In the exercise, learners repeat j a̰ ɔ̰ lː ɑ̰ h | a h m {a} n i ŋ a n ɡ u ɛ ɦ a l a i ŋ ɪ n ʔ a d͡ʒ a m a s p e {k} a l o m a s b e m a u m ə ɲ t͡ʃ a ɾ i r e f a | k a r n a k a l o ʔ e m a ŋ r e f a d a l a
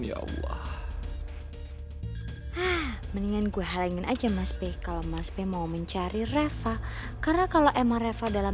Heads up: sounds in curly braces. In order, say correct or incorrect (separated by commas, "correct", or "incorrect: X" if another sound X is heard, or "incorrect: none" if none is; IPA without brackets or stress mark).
incorrect: ə, correct